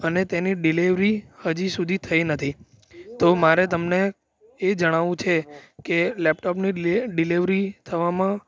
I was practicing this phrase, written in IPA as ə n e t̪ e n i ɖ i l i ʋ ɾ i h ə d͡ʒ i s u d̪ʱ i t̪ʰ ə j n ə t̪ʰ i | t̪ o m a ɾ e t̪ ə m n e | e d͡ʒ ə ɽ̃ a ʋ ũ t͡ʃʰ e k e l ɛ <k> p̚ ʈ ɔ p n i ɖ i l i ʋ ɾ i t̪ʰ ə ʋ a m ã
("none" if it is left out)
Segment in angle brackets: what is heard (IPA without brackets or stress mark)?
none